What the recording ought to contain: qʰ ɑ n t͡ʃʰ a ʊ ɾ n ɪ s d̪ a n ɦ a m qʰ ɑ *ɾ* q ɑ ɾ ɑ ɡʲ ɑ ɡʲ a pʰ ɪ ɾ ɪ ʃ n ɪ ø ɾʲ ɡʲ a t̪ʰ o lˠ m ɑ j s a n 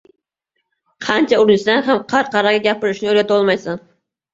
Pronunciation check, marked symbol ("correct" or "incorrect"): correct